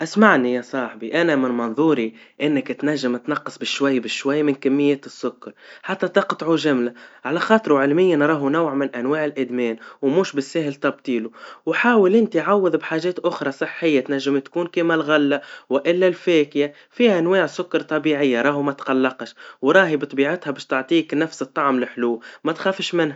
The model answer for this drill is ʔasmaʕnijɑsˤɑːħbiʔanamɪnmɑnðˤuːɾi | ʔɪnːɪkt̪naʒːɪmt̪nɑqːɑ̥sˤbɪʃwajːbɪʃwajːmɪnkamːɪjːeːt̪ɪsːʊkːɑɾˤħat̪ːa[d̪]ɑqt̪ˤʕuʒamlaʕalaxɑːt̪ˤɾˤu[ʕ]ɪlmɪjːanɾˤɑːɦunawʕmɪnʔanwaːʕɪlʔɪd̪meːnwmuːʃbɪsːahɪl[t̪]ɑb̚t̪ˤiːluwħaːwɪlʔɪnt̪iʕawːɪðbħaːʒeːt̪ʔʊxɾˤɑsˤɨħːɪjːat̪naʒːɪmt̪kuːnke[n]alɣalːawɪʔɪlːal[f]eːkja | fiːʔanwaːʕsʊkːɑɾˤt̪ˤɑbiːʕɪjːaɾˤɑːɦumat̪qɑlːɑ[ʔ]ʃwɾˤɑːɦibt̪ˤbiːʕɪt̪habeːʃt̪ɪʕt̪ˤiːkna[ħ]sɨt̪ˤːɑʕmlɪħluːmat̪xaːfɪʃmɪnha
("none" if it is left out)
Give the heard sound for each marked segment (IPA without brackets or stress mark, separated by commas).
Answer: t̪, ʕ, t̪, m, f, q, f